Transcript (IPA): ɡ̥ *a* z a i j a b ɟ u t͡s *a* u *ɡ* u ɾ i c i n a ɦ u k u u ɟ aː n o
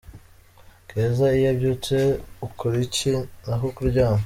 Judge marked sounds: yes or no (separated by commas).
no, no, no